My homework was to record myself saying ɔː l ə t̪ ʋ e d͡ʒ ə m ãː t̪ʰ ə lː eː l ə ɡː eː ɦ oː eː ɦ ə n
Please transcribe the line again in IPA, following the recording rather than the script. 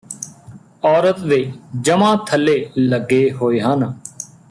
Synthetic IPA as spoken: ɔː ɾ ə t̪ ʋ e d͡ʒ ə m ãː t̪ʰ ə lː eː l ə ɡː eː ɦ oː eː ɦ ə n